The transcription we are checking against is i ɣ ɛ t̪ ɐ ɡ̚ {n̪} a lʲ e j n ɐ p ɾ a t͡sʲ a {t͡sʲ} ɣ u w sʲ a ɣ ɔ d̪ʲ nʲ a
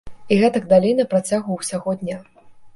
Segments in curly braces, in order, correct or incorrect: incorrect: d̪, incorrect: none

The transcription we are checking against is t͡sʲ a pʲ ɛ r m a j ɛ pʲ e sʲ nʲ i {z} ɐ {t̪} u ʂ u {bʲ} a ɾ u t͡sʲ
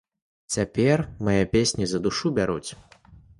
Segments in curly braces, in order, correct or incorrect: correct, incorrect: d̪, correct

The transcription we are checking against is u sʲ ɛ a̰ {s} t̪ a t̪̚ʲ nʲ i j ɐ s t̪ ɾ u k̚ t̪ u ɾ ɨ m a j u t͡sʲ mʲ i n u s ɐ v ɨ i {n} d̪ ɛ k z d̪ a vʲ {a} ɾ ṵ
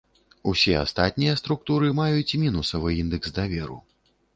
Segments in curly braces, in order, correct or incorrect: correct, correct, incorrect: ɛ

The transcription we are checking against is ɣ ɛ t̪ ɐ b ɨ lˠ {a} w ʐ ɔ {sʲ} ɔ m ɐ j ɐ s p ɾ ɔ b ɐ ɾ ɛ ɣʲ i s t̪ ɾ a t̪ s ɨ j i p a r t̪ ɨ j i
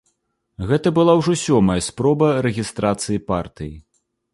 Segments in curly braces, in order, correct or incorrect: correct, correct

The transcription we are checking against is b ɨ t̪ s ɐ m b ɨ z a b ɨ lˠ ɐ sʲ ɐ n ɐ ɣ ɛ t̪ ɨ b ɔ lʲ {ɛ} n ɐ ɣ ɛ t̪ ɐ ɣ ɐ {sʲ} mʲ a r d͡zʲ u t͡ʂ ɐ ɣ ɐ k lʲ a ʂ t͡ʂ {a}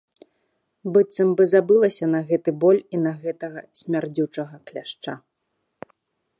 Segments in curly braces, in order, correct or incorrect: incorrect: i, correct, correct

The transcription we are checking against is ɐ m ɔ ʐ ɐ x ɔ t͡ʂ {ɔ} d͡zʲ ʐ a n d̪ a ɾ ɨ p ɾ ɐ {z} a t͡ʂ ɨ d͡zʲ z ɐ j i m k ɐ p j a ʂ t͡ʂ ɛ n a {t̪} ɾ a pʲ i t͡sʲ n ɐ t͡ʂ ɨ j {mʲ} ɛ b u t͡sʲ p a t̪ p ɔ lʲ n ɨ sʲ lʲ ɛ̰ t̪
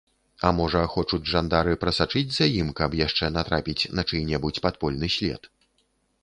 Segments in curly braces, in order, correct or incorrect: incorrect: u, incorrect: s, correct, incorrect: nʲ

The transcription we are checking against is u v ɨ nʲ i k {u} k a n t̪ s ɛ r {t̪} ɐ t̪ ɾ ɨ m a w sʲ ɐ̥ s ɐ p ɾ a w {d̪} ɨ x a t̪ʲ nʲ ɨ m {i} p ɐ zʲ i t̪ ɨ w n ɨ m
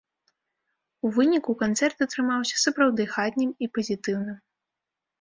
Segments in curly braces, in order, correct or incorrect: correct, correct, correct, correct

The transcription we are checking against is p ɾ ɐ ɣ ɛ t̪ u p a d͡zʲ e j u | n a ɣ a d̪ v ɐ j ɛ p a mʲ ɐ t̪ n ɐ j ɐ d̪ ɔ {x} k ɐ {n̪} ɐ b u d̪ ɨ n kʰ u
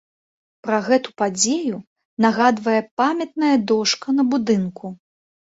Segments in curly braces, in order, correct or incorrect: incorrect: ʂ, correct

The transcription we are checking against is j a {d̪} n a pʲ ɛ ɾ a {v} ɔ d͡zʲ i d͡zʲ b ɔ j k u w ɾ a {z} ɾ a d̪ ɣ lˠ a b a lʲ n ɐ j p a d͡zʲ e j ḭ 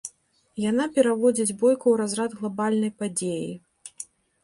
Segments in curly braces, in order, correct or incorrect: incorrect: none, correct, correct

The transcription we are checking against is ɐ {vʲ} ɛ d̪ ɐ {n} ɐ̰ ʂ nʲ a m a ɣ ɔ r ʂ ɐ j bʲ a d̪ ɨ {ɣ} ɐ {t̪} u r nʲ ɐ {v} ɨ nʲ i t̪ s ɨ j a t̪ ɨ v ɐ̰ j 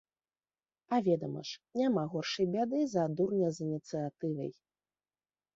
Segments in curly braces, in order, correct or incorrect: correct, incorrect: m, incorrect: z, incorrect: d̪, incorrect: z

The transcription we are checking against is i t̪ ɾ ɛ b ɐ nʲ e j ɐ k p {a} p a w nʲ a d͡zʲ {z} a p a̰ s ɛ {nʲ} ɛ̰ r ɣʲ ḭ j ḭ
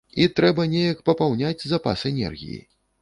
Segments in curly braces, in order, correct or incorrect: incorrect: ɐ, correct, correct

